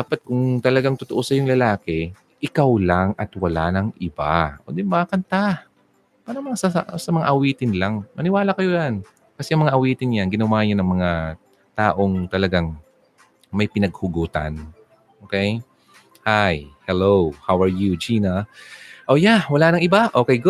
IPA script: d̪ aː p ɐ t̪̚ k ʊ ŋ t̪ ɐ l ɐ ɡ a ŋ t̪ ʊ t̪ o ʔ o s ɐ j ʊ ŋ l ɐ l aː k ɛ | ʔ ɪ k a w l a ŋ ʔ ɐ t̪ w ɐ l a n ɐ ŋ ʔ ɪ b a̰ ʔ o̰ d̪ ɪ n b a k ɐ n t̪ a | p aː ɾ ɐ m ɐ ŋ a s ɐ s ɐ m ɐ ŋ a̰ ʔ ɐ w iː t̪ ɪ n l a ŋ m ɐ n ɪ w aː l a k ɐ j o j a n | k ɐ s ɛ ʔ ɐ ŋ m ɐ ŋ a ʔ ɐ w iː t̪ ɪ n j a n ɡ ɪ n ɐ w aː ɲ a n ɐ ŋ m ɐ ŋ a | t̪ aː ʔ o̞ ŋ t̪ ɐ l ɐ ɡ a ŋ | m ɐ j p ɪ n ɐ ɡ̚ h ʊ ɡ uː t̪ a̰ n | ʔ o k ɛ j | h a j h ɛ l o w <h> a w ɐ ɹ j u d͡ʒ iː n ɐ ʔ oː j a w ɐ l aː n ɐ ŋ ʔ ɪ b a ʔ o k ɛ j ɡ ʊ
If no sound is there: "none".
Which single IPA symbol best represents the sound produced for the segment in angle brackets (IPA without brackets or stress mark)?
h